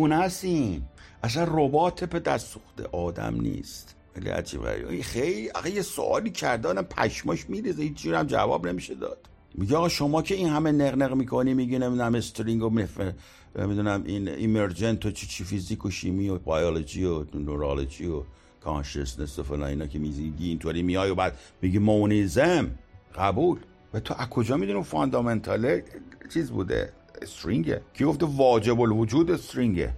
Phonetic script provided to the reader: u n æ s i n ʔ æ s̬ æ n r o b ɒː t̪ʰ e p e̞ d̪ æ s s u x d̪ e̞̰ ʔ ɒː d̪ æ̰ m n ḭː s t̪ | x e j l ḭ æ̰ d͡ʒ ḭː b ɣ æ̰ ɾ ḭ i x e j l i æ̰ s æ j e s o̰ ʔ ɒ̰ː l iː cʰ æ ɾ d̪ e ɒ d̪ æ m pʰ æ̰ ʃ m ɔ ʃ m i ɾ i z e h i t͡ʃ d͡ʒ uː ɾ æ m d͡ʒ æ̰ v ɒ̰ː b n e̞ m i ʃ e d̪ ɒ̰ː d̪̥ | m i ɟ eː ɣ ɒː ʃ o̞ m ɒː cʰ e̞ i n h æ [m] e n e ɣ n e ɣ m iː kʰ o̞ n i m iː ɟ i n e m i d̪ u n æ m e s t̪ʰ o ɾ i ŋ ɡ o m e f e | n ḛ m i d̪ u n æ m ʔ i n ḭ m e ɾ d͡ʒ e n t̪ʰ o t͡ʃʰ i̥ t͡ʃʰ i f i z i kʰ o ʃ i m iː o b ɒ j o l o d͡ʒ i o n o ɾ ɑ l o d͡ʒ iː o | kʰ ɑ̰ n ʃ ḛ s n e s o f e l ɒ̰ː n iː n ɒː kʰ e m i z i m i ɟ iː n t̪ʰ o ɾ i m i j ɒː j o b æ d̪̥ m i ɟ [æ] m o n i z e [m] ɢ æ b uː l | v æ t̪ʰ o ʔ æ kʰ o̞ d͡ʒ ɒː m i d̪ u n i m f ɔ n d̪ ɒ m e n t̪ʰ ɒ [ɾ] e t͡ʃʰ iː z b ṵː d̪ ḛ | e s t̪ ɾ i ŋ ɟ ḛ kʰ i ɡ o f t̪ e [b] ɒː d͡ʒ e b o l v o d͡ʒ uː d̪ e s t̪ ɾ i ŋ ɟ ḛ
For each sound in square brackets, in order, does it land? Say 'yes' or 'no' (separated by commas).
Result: yes, no, yes, no, no